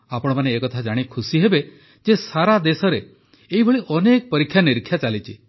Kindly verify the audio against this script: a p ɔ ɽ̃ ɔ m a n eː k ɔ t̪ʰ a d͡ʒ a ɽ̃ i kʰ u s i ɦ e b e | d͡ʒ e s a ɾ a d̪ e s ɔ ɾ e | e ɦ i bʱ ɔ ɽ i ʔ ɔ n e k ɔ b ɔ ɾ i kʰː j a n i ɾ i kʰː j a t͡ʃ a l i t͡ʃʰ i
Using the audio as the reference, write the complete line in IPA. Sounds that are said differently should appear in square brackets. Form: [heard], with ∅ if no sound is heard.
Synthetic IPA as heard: a p ɔ ɽ̃ ɔ m a n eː k ɔ t̪ʰ a d͡ʒ a ɽ̃ i kʰ u s i ɦ e b e | d͡ʒ e s a ɾ a d̪ e s ɔ ɾ e | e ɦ i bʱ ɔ [ɭ] i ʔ ɔ n e k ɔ [p] ɔ ɾ i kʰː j a n i ɾ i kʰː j a t͡ʃ a l i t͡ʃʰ i